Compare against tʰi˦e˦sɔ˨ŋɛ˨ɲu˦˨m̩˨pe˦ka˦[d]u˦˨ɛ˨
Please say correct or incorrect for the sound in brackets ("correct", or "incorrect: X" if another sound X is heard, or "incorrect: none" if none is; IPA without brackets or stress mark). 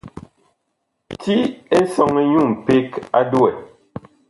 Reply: correct